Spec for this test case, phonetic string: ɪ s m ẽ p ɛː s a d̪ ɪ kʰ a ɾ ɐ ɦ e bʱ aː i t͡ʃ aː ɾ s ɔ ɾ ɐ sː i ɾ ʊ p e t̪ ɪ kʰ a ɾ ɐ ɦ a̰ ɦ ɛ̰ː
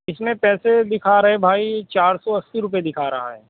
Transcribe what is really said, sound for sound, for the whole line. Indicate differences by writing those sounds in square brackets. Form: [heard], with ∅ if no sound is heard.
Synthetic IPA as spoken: ɪ s m ẽ p ɛː s [e] d̪ ɪ kʰ a ɾ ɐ ɦ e bʱ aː i t͡ʃ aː ɾ s ɔ [∅] ɐ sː i ɾ ʊ p e [d̪] ɪ kʰ a ɾ ɐ ɦ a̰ ɦ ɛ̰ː